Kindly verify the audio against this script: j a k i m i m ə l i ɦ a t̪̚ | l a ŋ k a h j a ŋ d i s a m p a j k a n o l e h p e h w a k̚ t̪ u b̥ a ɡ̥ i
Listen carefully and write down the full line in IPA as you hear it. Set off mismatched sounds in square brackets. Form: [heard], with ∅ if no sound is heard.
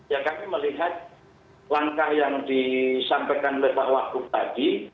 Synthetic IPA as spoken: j a k [a] m i m ə l i ɦ a t̪̚ | l a ŋ k a h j a ŋ d i s a m p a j k a n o l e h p [a] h w a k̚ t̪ u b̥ a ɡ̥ i